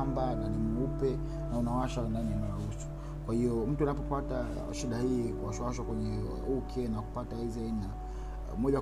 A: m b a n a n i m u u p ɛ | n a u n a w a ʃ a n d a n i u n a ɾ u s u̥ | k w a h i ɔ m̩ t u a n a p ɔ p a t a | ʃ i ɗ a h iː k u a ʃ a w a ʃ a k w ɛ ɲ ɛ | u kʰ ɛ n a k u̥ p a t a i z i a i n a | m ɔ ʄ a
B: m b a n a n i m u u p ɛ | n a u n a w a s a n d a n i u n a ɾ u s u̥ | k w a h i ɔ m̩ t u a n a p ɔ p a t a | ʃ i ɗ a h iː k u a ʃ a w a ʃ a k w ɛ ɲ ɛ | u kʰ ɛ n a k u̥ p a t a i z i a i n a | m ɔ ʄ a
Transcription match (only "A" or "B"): A